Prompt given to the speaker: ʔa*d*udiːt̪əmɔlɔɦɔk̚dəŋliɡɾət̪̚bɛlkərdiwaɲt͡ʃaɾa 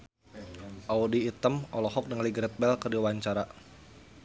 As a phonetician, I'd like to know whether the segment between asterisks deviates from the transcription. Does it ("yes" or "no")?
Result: yes